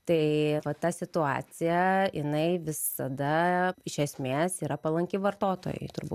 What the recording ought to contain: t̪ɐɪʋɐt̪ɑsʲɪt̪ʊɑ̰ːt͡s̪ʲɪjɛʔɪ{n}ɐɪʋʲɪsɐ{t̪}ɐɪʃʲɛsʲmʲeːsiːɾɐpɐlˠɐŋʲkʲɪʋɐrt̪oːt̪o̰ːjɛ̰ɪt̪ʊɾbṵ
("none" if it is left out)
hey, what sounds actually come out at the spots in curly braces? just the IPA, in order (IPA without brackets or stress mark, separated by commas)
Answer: n, d̪